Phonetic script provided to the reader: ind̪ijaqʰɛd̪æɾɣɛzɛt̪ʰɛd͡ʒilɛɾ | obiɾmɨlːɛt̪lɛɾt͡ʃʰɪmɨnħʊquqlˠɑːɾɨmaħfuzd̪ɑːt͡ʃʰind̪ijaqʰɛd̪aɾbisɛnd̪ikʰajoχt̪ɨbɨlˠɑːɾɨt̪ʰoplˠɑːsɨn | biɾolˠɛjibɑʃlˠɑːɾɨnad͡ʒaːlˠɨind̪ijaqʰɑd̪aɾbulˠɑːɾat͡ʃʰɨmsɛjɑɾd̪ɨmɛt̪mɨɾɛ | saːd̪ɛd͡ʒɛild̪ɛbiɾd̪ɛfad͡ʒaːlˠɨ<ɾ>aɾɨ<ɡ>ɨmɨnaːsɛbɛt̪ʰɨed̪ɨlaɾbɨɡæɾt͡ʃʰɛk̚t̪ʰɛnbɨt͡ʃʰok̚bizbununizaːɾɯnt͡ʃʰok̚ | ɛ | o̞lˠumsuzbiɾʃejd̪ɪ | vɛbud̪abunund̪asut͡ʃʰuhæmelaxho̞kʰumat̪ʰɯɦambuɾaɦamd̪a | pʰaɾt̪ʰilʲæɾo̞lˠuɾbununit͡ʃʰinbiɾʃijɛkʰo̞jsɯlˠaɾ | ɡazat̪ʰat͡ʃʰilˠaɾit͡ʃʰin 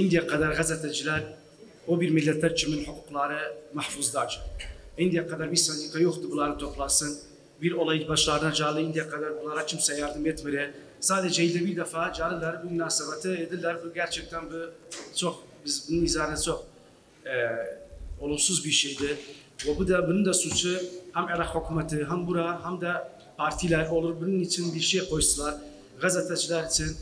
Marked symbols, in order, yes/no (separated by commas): no, no